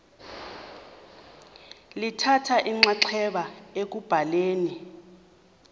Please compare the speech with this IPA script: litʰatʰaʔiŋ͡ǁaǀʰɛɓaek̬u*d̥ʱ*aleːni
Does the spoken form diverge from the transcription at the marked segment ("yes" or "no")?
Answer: yes